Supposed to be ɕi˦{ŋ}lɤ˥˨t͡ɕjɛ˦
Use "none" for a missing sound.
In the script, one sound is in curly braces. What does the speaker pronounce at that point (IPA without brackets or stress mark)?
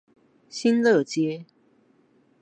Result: n